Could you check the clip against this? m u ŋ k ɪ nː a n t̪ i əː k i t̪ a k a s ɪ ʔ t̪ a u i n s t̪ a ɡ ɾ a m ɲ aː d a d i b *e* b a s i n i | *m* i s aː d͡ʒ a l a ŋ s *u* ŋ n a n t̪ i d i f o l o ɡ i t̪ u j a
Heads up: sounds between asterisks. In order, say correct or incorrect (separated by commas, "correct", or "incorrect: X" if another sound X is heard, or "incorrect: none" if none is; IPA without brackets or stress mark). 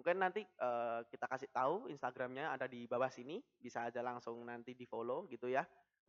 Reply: incorrect: a, incorrect: b, incorrect: ʊ